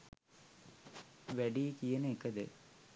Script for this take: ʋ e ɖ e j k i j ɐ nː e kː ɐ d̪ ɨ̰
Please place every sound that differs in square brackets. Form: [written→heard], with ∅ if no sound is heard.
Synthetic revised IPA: ʋ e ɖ [e→i] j k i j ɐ [nː→n] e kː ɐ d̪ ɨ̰